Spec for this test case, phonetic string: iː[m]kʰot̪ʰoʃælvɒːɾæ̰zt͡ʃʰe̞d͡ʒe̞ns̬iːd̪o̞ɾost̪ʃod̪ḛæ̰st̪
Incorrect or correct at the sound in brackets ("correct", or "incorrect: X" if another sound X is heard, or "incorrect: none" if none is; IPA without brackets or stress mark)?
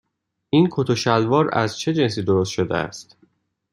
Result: incorrect: n